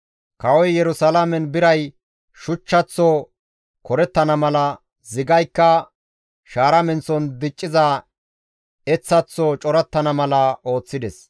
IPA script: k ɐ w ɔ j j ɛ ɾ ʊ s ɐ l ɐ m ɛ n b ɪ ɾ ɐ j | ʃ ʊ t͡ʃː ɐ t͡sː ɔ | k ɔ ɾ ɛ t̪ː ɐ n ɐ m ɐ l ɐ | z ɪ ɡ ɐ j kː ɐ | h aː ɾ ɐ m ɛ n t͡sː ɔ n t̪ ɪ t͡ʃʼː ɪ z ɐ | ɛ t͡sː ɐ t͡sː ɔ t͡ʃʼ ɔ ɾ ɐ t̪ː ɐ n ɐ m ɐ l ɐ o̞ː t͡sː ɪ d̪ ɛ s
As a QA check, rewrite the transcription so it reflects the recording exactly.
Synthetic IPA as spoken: k ɐ w ɔ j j ɛ ɾ ʊ s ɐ l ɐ m ɛ n b ɪ ɾ ɐ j | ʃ ʊ t͡ʃː ɐ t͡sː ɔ | k ɔ ɾ ɛ t̪ː ɐ n ɐ m ɐ l ɐ | z ɪ ɡ ɐ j kː ɐ | ʃ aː ɾ ɐ m ɛ n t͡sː ɔ n d̪ ɪ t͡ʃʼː ɪ z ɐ | ɛ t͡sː ɐ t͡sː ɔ t͡ʃʼ ɔ ɾ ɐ t̪ː ɐ n ɐ m ɐ l ɐ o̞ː t͡sː ɪ d̪ ɛ s

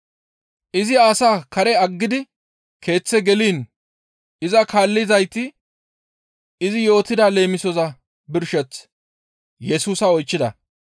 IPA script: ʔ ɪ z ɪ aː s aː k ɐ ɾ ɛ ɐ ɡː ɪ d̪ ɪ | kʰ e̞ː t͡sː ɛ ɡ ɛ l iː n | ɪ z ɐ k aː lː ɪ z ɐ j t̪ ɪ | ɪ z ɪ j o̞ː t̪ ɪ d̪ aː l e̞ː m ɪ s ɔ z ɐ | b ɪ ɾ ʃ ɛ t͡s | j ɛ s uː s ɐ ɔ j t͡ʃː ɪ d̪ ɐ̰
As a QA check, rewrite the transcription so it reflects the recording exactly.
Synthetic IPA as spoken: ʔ ɪ z ɪ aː s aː k ɐ ɾ ɛ ɐ ɡː ɪ d̪ ɪ | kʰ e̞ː t͡sː ɛ ɡ ɛ l iː n | ɪ z ɐ k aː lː ɪ z ɐ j t̪ ɪ | ɪ z ɪ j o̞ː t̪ ɪ d̪ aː l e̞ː m ɪ s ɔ z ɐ | b ɪ ɾ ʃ ɛ t͡s | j ɛ s uː s ɐ ɔ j t͡ʃː ɪ d̪ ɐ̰

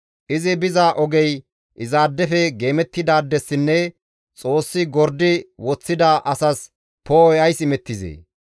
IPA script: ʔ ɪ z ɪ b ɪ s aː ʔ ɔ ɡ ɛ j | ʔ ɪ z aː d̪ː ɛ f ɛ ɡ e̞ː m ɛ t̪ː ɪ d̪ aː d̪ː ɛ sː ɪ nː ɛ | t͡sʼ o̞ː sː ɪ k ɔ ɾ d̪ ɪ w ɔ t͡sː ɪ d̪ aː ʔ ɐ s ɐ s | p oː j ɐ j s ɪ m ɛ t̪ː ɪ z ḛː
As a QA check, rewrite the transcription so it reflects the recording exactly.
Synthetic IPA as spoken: ʔ ɪ z ɪ b ɪ z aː ʔ ɔ ɡ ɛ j | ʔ ɪ z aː d̪ː ɛ f ɛ ɡ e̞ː m ɛ t̪ː ɪ d̪ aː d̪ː ɛ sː ɪ nː ɛ | t͡sʼ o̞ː sː ɪ ɡ ɔ ɾ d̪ ɪ w ɔ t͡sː ɪ d̪ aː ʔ ɐ s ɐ s | p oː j ɐ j s ɪ m ɛ t̪ː ɪ z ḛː

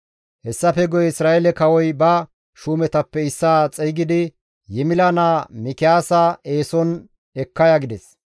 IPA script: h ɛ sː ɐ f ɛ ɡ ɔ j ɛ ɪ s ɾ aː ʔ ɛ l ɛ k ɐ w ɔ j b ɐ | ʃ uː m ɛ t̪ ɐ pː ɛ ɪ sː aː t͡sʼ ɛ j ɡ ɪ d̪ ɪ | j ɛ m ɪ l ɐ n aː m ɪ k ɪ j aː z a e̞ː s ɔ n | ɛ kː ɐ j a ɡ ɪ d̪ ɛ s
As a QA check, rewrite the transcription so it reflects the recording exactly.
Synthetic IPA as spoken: h ɛ sː ɐ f ɛ ɡ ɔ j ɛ ɪ s ɾ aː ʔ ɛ l ɛ k ɐ w ɔ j b ɐ | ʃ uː m ɛ t̪ ɐ pː ɛ ɪ sː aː t͡sʼ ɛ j ɡ ɪ d̪ ɪ | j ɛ m ɪ l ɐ n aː m ɪ k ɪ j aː s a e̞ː s ɔ n | ɛ kː ɐ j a ɡ ɪ d̪ ɛ s

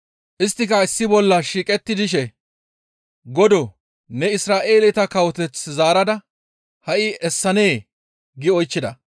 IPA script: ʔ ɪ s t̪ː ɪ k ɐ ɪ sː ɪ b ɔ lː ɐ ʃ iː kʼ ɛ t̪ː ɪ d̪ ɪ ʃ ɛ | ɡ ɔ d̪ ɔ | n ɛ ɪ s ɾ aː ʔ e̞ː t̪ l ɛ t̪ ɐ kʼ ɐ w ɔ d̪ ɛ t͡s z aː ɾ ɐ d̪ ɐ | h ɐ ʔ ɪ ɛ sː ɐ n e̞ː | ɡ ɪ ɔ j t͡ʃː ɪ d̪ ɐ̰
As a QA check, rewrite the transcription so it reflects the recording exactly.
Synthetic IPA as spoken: ʔ ɪ s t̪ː ɪ k ɐ ɪ sː ɪ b ɔ lː ɐ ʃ iː kʼ ɛ t̪ː ɪ d̪ ɪ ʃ ɛ | ɡ ɔ d̪ ɔ | n ɛ ɪ s ɾ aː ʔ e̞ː l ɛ t̪ ɐ k ɐ w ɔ t̪ ɛ t͡s z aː ɾ ɐ d̪ ɐ | h ɐ ʔ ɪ ɛ sː ɐ n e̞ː | ɡ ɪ ɔ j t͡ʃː ɪ d̪ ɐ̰

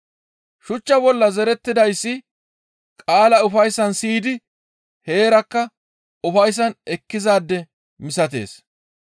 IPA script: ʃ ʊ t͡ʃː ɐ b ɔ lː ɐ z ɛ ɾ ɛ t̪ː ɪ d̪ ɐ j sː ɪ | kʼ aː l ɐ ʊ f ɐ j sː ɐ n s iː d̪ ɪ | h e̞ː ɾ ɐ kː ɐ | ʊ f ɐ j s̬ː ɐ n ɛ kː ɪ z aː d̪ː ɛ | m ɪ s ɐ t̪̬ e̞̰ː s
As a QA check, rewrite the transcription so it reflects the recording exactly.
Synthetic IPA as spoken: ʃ ʊ t͡ʃː ɐ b ɔ lː ɐ z ɛ ɾ ɛ t̪ː ɪ d̪ ɐ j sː ɪ | kʼ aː l ɐ ʊ f ɐ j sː ɐ n s iː d̪ ɪ | h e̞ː ɾ ɐ kː ɐ | ʊ f ɐ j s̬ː ɐ n ɛ kː ɪ z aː d̪ː ɛ | m ɪ s ɐ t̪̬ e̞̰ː s

